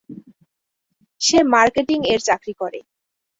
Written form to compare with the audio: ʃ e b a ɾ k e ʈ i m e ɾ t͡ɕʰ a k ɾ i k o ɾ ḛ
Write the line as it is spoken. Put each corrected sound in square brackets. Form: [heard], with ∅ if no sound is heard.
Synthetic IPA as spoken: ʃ e [m] a ɾ k e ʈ i [ŋ] e ɾ [t͡ɕ] a k ɾ i k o ɾ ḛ